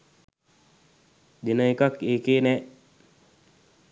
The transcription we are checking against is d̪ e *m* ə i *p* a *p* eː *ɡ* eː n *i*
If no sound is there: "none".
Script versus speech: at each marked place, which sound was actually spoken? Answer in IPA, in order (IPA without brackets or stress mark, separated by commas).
n, k, k, k, ɛ